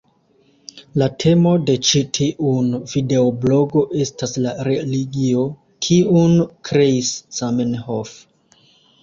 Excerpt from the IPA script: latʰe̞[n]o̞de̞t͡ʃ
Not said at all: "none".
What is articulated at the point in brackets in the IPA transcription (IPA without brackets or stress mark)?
m